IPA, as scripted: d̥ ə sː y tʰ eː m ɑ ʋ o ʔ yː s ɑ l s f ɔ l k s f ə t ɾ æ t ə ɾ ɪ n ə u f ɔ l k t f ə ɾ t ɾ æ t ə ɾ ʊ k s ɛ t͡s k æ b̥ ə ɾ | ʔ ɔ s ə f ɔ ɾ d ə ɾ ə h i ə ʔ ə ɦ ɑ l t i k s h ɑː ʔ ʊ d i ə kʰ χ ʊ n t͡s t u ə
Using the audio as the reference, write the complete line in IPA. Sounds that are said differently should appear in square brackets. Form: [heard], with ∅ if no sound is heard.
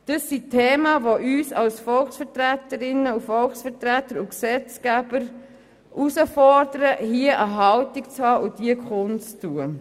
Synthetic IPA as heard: d̥ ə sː [i] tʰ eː m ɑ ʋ o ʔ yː s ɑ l s f ɔ l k s f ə t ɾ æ t ə ɾ ɪ n ə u f ɔ l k [s] f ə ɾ t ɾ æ t ə ɾ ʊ k s ɛ t͡s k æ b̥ ə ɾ | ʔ [u] s ə f ɔ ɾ d ə ɾ ə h i ə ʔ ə ɦ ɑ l t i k [t͡s] h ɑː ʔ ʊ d i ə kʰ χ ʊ n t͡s t u ə